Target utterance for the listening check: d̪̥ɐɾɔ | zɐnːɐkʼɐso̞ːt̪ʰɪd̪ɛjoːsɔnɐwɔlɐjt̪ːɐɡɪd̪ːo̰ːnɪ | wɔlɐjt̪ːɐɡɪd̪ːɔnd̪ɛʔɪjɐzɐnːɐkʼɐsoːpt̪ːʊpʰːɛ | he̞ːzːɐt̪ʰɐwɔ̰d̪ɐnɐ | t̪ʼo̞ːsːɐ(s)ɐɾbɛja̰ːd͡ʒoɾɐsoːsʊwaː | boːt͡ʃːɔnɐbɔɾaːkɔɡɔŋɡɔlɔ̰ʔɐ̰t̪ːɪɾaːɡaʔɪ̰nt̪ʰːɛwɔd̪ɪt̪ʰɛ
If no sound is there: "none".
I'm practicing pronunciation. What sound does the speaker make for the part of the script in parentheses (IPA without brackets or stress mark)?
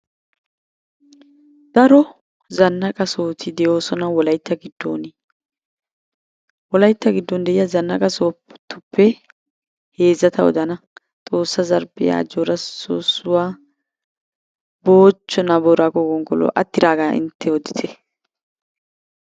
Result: z